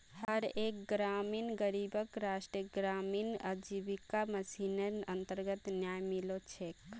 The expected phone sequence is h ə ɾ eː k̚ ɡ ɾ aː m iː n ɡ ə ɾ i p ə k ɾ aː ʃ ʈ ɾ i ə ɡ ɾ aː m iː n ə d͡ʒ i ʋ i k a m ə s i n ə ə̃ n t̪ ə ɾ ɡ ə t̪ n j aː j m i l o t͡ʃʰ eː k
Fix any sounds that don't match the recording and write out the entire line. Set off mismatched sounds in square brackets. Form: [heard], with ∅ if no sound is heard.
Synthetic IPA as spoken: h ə ɾ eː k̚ ɡ ɾ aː m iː n ɡ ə ɾ i [b] ə k ɾ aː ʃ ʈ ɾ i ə ɡ ɾ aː m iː n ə d͡ʒ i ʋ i k a m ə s i n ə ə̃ n t̪ ə ɾ ɡ ə t̪ n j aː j m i l o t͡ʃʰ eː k